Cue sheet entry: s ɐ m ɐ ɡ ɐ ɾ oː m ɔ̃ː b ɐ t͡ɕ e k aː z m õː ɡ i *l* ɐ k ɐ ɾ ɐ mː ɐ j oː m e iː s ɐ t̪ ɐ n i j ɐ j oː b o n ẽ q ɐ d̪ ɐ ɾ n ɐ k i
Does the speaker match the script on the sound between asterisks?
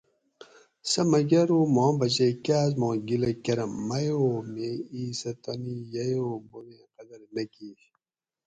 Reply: yes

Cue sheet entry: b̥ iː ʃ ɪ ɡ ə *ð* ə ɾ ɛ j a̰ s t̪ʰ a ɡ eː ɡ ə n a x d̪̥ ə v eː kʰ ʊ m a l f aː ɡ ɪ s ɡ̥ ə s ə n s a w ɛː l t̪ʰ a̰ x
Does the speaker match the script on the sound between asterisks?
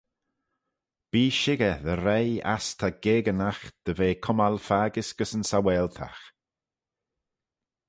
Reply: yes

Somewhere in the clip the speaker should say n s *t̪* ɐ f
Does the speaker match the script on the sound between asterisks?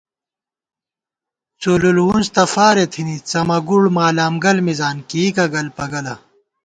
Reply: yes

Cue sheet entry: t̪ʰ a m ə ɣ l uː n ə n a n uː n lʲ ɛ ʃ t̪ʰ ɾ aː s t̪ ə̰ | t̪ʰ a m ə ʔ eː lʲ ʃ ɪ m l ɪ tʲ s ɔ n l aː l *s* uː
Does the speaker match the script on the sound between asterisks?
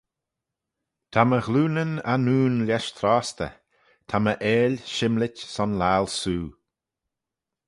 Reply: yes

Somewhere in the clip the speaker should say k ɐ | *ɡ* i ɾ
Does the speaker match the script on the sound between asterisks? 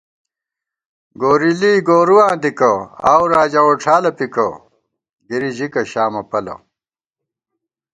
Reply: yes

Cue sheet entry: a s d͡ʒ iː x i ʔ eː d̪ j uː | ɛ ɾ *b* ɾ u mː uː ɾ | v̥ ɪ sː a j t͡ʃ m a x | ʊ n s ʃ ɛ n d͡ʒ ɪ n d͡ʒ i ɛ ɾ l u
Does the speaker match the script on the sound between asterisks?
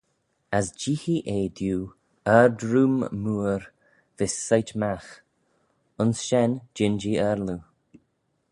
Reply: no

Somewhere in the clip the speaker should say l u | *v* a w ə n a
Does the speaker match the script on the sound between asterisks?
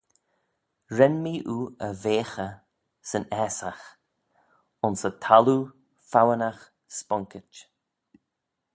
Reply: no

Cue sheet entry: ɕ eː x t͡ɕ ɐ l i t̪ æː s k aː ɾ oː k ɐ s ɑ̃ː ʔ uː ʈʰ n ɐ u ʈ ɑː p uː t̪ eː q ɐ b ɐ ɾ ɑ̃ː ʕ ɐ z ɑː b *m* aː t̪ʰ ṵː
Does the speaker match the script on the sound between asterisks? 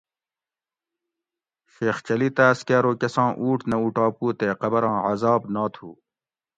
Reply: no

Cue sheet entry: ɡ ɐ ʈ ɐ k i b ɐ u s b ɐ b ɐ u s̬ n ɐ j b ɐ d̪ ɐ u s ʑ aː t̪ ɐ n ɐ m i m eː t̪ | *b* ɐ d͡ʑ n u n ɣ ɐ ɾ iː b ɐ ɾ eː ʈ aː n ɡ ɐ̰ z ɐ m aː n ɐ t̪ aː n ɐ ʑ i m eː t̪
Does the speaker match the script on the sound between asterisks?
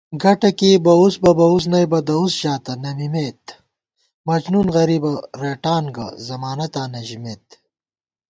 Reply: no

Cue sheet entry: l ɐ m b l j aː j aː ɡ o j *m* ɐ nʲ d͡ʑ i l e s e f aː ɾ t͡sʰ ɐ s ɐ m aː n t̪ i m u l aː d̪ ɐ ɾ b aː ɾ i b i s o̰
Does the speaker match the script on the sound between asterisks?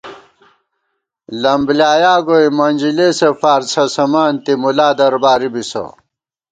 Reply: yes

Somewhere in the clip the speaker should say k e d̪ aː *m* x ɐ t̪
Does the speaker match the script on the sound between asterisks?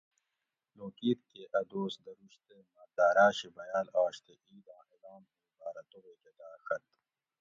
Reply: no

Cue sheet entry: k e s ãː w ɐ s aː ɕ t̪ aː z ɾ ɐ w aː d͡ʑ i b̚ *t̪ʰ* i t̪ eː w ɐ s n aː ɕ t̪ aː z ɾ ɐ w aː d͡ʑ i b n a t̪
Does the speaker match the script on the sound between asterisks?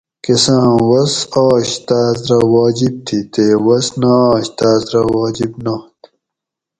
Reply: yes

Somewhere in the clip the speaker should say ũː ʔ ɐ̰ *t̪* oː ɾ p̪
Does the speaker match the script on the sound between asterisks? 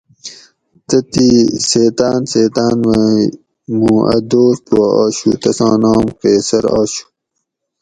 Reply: no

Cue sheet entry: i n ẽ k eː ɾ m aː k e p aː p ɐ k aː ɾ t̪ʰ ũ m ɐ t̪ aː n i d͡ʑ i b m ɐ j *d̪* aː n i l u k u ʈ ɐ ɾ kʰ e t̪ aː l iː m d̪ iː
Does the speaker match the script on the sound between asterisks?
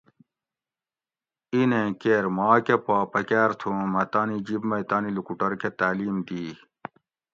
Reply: no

